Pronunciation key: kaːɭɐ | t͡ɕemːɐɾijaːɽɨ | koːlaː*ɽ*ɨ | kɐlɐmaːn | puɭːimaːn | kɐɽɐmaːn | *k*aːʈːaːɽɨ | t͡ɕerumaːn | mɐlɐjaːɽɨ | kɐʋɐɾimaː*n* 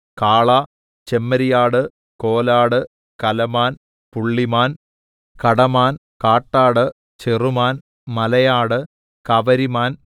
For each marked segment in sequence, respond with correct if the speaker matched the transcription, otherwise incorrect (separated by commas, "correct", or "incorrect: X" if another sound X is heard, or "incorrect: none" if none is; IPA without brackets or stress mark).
correct, correct, correct